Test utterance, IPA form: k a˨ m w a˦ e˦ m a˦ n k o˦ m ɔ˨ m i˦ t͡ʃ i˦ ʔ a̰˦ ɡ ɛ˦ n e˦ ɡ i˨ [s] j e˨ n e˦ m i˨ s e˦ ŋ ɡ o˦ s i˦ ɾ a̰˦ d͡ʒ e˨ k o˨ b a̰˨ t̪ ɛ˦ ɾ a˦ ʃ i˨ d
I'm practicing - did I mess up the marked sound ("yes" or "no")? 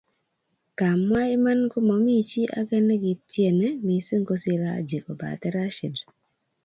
yes